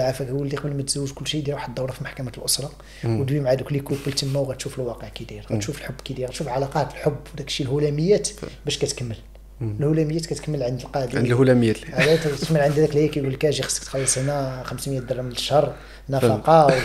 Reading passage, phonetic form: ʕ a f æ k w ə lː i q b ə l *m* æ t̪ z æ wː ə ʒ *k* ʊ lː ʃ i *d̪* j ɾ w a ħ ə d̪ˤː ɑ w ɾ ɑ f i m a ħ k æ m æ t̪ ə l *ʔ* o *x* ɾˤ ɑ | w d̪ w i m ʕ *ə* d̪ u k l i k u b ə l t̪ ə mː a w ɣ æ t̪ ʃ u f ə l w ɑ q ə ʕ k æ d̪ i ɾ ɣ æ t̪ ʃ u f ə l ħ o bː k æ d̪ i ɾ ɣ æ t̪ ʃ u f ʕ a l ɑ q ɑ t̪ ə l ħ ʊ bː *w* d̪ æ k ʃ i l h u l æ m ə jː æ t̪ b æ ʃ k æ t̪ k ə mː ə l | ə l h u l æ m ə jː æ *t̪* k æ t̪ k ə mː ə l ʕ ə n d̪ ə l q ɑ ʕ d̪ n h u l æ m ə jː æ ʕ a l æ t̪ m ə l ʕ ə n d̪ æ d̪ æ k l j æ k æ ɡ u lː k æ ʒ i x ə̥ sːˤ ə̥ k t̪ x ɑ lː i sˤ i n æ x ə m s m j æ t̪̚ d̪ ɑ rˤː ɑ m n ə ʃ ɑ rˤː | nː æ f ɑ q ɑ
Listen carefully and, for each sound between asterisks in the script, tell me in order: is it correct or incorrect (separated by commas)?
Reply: correct, correct, correct, correct, incorrect, incorrect, correct, correct